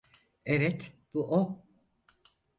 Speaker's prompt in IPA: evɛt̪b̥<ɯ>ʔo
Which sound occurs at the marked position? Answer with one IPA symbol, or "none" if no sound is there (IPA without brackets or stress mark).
u